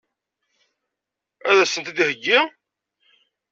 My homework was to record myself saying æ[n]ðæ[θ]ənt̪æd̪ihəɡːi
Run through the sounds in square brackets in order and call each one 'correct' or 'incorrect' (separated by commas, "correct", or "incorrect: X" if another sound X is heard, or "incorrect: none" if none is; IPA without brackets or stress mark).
incorrect: none, incorrect: s